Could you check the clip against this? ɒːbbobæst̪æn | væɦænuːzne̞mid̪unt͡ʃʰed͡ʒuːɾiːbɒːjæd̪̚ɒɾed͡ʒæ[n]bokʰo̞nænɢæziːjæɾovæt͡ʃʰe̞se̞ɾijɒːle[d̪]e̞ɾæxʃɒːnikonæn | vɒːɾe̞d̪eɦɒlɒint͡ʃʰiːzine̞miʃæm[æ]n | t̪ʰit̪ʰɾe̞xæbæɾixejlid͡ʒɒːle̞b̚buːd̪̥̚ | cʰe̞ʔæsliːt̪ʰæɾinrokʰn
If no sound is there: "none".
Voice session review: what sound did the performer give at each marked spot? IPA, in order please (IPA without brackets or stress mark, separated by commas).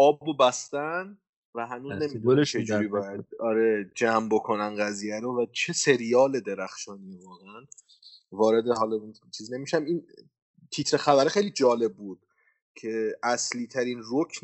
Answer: m, d̪, i